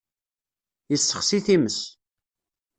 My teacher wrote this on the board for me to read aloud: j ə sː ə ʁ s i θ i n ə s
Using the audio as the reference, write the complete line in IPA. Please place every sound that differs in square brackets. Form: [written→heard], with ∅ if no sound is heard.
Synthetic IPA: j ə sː ə [ʁ→χ] s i θ i [n→m] ə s